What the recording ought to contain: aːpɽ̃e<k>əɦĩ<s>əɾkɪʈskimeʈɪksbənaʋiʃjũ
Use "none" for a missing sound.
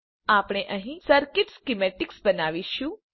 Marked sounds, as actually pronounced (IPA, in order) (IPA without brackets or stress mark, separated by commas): ʔ, s